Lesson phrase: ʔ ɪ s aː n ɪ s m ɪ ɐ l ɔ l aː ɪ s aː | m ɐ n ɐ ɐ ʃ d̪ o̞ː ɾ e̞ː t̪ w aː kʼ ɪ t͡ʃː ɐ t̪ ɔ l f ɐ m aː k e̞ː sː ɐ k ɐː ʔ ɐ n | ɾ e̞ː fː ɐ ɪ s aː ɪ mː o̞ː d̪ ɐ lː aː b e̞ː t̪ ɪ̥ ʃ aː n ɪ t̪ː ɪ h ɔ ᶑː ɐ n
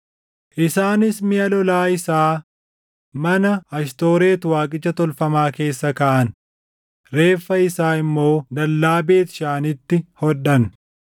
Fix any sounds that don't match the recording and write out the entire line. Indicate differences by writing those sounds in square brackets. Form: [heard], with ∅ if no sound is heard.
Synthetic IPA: ʔ ɪ s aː n ɪ s m ɪ ɐ l ɔ l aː ɪ s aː | m ɐ n ɐ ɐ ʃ [t̪] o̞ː ɾ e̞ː t̪ w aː kʼ ɪ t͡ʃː ɐ t̪ ɔ l f ɐ m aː k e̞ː sː ɐ k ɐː ʔ ɐ n | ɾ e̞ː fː ɐ ɪ s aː ɪ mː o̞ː d̪ ɐ lː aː b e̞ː t̪ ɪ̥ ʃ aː n ɪ t̪ː ɪ h ɔ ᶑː ɐ n

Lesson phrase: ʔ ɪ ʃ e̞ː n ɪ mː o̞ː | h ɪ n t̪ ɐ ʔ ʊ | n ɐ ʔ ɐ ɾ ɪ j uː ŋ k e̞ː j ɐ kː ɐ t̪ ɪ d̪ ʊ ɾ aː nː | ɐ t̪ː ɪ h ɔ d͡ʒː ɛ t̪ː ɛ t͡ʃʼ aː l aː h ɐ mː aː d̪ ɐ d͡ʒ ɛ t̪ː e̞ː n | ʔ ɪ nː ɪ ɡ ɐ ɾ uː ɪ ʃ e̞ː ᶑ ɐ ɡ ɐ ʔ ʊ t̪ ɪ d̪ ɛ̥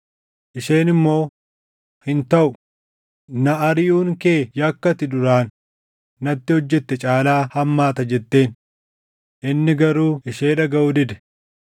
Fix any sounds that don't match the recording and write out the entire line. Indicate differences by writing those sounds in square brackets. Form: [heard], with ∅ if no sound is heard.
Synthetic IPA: ʔ ɪ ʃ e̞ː n ɪ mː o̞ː | h ɪ n t̪ ɐ ʔ ʊ | n ɐ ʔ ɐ ɾ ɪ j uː ŋ k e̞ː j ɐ kː ɐ t̪ ɪ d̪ ʊ ɾ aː nː | ɐ t̪ː ɪ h ɔ d͡ʒː ɛ t̪ː ɛ t͡ʃʼ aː l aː h ɐ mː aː [t̪] ɐ d͡ʒ ɛ t̪ː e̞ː n | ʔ ɪ nː ɪ ɡ ɐ ɾ uː ɪ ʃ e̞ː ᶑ ɐ ɡ ɐ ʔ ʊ [d̪] ɪ d̪ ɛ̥

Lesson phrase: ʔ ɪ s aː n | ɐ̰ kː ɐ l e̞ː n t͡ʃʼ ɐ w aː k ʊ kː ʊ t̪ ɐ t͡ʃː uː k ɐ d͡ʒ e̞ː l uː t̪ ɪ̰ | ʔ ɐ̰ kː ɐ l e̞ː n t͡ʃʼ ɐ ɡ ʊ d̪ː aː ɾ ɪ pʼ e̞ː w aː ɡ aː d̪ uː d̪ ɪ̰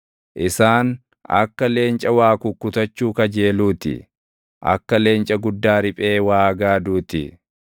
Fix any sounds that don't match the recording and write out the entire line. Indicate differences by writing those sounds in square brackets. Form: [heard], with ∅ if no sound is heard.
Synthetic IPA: ʔ ɪ s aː n | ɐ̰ kː ɐ l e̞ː n t͡ʃʼ ɐ w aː k ʊ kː ʊ t̪ ɐ t͡ʃː uː k ɐ d͡ʒ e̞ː l uː t̪ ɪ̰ | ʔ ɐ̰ kː ɐ l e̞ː n t͡ʃʼ ɐ ɡ ʊ d̪ː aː ɾ ɪ pʼ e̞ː w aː ɡ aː d̪ uː [t̪] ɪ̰

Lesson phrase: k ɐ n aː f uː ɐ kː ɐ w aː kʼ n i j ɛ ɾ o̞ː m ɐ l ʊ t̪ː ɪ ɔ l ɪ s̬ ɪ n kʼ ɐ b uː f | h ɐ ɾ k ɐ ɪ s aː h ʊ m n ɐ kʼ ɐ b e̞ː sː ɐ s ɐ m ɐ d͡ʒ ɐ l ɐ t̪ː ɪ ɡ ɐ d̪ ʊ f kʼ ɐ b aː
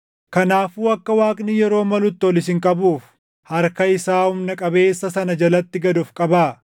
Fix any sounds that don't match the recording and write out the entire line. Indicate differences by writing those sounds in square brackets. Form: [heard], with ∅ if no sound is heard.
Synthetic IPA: k ɐ n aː f uː ɐ kː ɐ w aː kʼ n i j ɛ ɾ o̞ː m ɐ l ʊ t̪ː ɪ ɔ l ɪ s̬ ɪ [ŋ] kʼ ɐ b uː f | h ɐ ɾ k ɐ ɪ s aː h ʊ m n ɐ kʼ ɐ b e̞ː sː ɐ s ɐ [n] ɐ d͡ʒ ɐ l ɐ t̪ː ɪ ɡ ɐ d̪ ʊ f kʼ ɐ b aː

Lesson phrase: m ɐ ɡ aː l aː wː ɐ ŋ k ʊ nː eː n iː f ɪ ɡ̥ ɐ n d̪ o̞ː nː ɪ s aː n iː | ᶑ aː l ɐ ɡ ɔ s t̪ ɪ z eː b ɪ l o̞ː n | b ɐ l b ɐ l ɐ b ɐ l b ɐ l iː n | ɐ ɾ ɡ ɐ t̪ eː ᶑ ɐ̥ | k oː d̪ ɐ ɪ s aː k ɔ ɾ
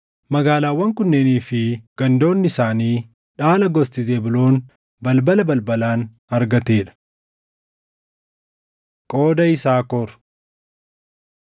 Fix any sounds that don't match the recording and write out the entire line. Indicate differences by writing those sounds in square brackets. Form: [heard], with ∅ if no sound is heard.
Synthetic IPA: m ɐ ɡ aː l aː wː ɐ ŋ k ʊ nː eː n iː f ɪ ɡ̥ ɐ n d̪ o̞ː nː ɪ s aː n iː | ᶑ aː l ɐ ɡ ɔ s t̪ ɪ z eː b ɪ l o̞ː n | b ɐ l b ɐ l ɐ b ɐ l b ɐ l [aː] n | ɐ ɾ ɡ ɐ t̪ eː ᶑ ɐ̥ | [kʼ] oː d̪ ɐ ɪ s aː k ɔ ɾ

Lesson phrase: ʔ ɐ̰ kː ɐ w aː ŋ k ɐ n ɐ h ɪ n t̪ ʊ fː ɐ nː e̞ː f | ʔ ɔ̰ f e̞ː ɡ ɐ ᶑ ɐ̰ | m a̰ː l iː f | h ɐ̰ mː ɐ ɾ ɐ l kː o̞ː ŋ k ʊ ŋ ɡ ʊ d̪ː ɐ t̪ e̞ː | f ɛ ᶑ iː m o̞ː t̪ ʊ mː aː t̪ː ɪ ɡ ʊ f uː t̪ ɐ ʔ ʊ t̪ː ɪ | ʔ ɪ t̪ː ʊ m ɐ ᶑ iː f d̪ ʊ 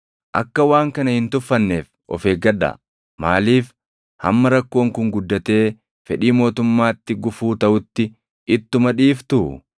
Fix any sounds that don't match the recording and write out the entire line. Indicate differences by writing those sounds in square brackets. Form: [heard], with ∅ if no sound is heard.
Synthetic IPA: ʔ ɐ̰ kː ɐ w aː ŋ k ɐ n ɐ h ɪ n t̪ ʊ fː ɐ nː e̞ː f | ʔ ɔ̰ f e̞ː ɡ ɐ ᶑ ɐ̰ | m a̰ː l iː f | h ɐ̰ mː ɐ ɾ ɐ [∅] kː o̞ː ŋ k ʊ ŋ ɡ ʊ d̪ː ɐ t̪ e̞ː | f ɛ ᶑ iː m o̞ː t̪ ʊ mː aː t̪ː ɪ ɡ ʊ f uː t̪ ɐ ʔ ʊ t̪ː ɪ | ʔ ɪ t̪ː ʊ m ɐ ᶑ iː f [t̪] ʊ

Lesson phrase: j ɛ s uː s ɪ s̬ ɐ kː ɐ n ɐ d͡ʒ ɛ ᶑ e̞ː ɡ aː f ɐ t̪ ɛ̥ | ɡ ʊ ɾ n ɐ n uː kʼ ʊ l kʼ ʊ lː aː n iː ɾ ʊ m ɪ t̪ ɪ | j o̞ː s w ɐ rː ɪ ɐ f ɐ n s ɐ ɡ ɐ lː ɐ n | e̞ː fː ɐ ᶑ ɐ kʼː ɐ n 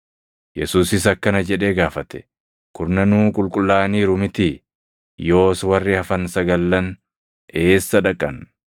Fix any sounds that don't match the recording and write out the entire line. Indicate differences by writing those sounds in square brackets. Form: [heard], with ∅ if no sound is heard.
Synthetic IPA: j ɛ s uː s ɪ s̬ ɐ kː ɐ n ɐ d͡ʒ ɛ ᶑ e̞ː ɡ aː f ɐ t̪ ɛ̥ | [k] ʊ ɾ n ɐ n uː kʼ ʊ l kʼ ʊ lː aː n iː ɾ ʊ m ɪ t̪ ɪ | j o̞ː s w ɐ rː ɪ ɐ f ɐ n s ɐ ɡ ɐ lː ɐ n | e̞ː [sː] ɐ ᶑ ɐ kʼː ɐ n

